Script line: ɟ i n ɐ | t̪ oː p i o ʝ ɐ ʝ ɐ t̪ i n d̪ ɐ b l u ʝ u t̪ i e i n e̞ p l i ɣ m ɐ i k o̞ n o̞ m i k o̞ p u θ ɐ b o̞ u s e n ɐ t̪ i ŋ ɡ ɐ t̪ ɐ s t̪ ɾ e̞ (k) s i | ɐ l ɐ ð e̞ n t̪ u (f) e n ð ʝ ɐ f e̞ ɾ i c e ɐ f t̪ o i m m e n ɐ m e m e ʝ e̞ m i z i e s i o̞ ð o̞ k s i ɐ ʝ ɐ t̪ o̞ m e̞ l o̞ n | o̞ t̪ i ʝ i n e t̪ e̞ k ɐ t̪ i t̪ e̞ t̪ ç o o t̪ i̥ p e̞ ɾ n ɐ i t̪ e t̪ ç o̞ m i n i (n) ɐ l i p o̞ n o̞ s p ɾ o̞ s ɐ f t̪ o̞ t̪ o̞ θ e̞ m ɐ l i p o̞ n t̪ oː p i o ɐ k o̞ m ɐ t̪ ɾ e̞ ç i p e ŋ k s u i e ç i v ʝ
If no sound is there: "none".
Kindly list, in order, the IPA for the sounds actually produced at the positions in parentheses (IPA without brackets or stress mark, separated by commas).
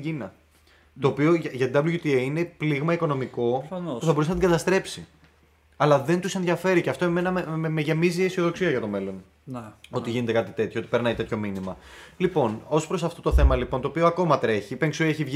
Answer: p, s, m